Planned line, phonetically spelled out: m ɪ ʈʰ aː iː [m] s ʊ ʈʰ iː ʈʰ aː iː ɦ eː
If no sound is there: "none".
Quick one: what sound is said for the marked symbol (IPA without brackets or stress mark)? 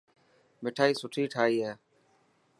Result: none